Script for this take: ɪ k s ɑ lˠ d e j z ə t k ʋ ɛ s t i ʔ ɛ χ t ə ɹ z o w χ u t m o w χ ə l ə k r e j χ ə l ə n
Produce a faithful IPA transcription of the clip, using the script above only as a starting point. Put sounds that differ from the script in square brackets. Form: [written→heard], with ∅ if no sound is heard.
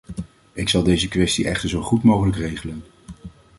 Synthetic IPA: ɪ k s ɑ lˠ d e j z ə [t→∅] k ʋ ɛ s t i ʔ ɛ χ t ə ɹ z o w χ u t m o w χ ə l ə k r e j χ ə l ə n